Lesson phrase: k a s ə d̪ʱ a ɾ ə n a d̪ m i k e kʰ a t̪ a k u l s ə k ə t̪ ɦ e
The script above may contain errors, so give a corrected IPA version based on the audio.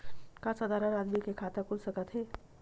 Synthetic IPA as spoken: k a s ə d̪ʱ a ɾ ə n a d̪ m i k e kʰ a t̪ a k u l s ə k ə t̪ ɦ e